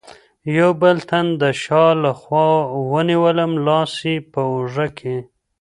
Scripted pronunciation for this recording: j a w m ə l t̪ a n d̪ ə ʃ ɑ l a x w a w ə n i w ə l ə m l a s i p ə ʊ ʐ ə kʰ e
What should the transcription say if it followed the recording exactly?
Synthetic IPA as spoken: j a w b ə l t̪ a n d̪ ə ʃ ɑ l a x w ɑ w ə n i w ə l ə m l ɑ s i p ə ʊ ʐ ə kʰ e